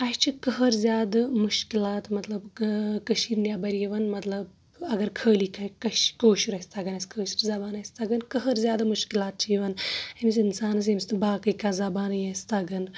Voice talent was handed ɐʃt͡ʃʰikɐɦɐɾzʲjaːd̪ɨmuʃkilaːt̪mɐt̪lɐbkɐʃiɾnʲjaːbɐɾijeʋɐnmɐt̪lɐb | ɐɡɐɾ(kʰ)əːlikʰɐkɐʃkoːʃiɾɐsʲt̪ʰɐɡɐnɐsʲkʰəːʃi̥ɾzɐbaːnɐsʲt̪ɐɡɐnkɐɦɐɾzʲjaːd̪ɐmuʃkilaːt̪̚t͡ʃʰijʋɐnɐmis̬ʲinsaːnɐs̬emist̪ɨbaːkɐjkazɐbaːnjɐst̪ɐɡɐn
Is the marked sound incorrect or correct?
correct